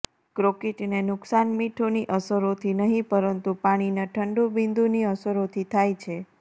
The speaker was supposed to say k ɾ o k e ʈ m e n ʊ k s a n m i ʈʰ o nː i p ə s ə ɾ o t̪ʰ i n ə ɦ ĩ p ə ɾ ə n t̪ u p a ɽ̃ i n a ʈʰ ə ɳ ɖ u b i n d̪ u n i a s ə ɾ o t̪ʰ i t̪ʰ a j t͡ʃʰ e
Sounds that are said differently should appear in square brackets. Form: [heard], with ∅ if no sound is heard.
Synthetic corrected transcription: k ɾ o k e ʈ [n] e n ʊ k s a n m i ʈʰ o [n] i [ʔ] ə s ə ɾ o t̪ʰ i n ə ɦ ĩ p ə ɾ ə n t̪ u p a ɽ̃ i n a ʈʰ ə ɳ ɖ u b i n d̪ u n i [ə] s ə ɾ o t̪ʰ i t̪ʰ a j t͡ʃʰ e

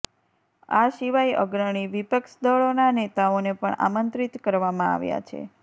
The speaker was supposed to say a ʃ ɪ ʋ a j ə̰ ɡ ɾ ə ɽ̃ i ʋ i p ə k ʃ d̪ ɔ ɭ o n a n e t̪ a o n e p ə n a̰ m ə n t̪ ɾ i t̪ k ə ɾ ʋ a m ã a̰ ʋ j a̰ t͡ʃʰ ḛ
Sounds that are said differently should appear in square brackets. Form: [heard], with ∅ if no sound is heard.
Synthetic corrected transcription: a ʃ [i] ʋ a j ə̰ ɡ ɾ ə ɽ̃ i ʋ i p ə k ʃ d̪ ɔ ɭ o n a n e t̪ a o n e p ə [ɳ] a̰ m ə n t̪ ɾ i t̪ k ə ɾ ʋ a m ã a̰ ʋ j a̰ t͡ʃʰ ḛ

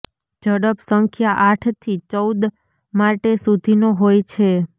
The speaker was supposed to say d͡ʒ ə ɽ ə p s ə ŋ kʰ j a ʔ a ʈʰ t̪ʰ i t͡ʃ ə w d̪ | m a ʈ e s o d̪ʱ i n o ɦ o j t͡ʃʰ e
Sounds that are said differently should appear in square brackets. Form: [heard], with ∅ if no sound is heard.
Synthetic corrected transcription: d͡ʒ ə ɽ ə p s ə ŋ kʰ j a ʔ a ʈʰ t̪ʰ i t͡ʃ ə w d̪ | m a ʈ e s [u] d̪ʱ i n o ɦ o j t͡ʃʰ e

